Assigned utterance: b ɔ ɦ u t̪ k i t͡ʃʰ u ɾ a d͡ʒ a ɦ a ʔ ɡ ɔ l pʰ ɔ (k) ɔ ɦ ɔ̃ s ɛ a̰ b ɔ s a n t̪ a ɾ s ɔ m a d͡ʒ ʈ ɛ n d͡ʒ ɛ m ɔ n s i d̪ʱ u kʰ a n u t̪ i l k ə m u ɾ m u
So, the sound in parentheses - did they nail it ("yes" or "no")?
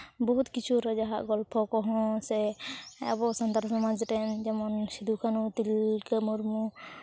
yes